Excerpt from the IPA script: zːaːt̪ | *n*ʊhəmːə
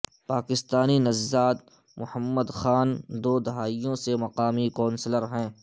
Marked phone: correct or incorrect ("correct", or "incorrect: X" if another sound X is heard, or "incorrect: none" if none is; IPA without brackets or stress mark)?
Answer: incorrect: m